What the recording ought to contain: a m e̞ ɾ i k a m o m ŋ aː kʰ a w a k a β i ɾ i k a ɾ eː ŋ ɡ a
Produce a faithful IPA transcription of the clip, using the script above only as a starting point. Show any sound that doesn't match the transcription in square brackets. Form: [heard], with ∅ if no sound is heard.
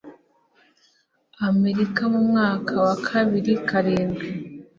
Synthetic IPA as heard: a m e̞ ɾ i k a m [u] m ŋ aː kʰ a w a [kʰ] a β i ɾ i k a ɾ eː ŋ ɡ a